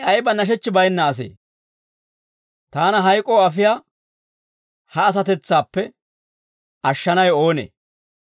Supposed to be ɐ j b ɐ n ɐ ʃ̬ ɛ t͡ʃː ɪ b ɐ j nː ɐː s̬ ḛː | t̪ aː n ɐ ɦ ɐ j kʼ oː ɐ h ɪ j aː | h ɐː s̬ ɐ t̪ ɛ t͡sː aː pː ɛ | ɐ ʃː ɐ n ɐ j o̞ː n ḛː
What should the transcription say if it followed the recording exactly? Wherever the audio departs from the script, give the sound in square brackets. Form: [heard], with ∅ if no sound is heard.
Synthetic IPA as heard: ɐ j b ɐ n ɐ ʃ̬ ɛ t͡ʃː ɪ b ɐ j nː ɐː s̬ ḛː | t̪ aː n ɐ ɦ ɐ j kʼ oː ɐ [f] ɪ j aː | h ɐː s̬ ɐ t̪ ɛ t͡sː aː pː ɛ | ɐ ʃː ɐ n ɐ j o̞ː n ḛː